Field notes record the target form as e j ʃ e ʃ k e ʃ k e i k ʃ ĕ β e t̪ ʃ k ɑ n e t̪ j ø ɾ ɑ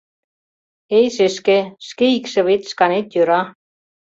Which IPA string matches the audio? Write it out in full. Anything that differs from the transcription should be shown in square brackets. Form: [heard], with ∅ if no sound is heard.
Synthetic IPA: e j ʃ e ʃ k e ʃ k e i k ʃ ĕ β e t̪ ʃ k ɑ n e t̪ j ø ɾ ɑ